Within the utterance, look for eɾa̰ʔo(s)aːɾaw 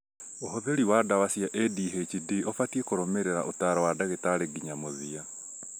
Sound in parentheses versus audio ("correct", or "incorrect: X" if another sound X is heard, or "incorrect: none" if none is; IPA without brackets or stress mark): incorrect: t